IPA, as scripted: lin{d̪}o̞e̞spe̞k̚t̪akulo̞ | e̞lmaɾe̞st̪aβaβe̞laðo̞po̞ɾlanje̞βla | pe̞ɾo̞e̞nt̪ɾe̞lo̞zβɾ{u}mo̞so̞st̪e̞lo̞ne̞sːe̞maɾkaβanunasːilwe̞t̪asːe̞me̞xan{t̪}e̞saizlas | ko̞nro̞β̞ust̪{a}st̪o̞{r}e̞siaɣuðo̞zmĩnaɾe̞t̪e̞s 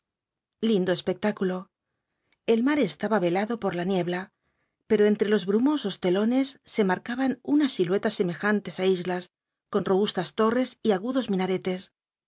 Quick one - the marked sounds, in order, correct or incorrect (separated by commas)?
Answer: correct, correct, correct, correct, correct